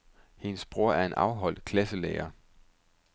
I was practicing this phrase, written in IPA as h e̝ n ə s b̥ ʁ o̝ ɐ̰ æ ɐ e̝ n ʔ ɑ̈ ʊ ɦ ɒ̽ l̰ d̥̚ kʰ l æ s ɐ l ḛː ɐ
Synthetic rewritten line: h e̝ n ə s b̥ ʁ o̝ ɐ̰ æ ɐ e̝ n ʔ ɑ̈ ʊ ɦ ɒ̽ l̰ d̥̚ kʰ l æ s ə l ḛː ɐ